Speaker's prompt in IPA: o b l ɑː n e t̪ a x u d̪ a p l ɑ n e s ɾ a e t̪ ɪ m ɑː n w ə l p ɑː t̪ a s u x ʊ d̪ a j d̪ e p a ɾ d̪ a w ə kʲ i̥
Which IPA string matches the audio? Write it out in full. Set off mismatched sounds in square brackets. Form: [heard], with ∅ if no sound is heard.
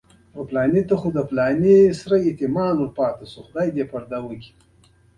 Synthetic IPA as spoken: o [p] l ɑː n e t̪ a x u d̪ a p l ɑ n e s ɾ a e t̪ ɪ m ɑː n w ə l p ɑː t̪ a s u x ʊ d̪ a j d̪ e p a ɾ d̪ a w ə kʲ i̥